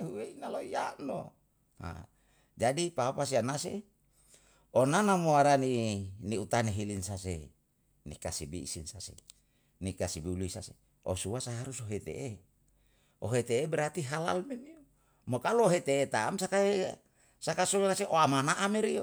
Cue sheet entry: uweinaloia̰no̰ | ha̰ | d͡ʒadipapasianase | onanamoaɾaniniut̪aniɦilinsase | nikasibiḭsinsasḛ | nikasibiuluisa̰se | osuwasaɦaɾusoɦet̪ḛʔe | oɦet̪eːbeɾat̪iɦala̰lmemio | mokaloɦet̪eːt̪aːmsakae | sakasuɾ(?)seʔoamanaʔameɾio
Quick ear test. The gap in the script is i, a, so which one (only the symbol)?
a